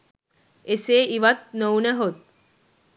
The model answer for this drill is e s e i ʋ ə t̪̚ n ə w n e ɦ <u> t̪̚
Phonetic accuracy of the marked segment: incorrect: o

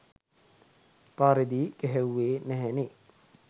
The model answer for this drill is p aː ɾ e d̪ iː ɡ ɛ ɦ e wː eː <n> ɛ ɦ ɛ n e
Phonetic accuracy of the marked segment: correct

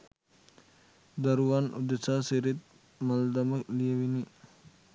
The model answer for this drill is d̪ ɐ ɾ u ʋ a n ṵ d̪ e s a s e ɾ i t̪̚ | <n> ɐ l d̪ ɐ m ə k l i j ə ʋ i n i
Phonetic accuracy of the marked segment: incorrect: m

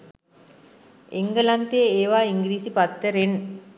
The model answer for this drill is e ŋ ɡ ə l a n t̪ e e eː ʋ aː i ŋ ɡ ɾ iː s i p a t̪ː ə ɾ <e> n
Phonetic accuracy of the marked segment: correct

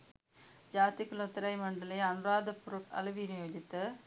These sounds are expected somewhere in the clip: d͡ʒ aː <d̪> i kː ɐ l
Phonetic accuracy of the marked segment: incorrect: t̪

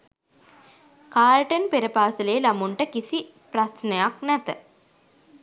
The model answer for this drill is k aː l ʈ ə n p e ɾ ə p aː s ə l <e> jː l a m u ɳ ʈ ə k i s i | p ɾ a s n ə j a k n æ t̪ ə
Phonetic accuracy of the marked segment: correct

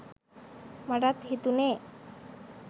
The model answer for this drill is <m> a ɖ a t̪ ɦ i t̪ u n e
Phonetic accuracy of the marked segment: correct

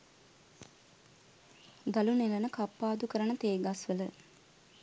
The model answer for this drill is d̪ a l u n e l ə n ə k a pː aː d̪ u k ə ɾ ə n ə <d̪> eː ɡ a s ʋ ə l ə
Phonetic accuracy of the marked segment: incorrect: t̪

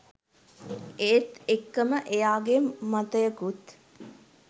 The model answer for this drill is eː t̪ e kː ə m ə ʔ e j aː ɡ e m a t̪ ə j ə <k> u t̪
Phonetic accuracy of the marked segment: correct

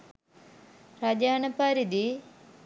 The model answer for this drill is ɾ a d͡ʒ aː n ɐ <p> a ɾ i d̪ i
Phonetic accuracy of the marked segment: correct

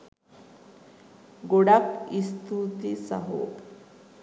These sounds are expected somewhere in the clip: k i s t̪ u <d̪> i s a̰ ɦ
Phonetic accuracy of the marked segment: incorrect: t̪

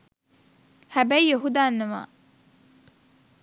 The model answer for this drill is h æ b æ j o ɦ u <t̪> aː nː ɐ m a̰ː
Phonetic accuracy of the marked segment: incorrect: d̪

